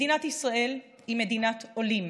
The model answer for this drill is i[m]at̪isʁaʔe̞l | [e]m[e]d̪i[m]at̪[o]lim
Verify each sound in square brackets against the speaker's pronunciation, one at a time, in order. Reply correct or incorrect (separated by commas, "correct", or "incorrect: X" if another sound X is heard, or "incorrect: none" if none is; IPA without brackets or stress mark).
incorrect: n, incorrect: i, correct, incorrect: n, correct